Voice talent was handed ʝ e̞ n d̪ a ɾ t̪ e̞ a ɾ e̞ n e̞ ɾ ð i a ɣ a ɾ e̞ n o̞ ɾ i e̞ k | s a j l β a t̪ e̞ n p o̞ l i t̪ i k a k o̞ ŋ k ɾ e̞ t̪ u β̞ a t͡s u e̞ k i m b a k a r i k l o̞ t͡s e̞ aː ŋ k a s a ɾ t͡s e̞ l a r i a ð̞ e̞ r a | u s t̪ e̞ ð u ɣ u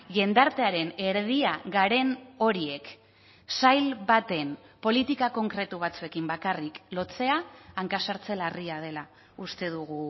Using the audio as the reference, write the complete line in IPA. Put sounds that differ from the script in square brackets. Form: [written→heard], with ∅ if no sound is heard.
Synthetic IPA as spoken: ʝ e̞ n d̪ a ɾ t̪ e̞ a ɾ e̞ n e̞ ɾ ð i a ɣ a ɾ e̞ n o̞ ɾ i e̞ k | s a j l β a t̪ e̞ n p o̞ l i t̪ i k a k o̞ ŋ k ɾ e̞ t̪ u β̞ a t͡s u e̞ k i m b a k a r i k l o̞ t͡s e̞ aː ŋ k a s a ɾ t͡s e̞ l a r i a ð̞ e̞ [r→l] a | u s t̪ e̞ ð u ɣ u